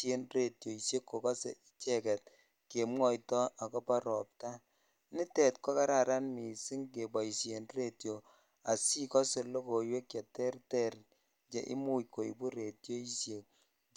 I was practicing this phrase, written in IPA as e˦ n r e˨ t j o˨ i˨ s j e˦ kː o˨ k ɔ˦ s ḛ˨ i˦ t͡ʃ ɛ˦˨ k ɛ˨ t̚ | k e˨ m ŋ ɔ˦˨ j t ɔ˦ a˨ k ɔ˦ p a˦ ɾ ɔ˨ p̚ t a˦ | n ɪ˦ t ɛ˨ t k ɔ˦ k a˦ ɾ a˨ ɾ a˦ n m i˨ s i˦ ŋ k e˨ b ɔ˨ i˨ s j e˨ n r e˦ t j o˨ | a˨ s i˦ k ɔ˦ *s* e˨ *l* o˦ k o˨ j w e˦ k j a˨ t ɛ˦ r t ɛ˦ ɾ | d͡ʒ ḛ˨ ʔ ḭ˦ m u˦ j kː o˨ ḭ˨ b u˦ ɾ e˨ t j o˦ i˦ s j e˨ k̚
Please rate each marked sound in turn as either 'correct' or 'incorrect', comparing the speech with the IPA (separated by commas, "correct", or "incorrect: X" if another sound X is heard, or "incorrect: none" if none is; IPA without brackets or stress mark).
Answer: correct, correct